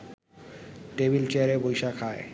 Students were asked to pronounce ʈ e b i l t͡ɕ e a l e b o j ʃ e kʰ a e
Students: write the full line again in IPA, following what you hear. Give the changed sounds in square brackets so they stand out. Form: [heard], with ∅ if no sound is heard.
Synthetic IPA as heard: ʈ e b i l t͡ɕ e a [ɾ] e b o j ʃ [a] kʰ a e